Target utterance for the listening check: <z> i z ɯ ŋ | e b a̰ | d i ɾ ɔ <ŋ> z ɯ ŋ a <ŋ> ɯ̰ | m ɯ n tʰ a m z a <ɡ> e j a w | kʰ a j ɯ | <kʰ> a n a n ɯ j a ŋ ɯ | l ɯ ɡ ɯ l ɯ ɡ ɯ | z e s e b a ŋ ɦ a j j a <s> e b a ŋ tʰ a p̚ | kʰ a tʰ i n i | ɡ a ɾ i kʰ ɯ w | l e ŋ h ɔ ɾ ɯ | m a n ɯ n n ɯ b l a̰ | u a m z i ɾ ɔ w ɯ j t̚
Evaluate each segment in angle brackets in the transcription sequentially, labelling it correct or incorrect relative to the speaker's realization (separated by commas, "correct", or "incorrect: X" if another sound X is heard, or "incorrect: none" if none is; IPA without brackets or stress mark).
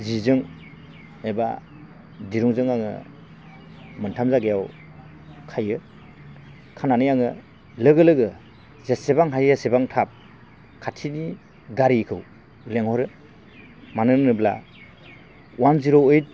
correct, correct, correct, correct, correct, correct